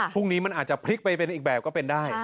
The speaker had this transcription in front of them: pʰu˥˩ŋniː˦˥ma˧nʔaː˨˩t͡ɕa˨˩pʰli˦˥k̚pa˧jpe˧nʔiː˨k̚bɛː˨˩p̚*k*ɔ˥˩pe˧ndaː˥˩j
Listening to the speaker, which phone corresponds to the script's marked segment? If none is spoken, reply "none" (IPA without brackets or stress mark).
k